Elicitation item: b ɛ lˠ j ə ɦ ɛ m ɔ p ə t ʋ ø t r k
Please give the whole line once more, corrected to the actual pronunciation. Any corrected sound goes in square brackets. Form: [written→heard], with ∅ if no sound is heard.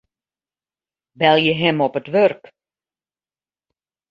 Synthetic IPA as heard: b ɛ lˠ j ə ɦ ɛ m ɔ p ə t ʋ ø [t→∅] r k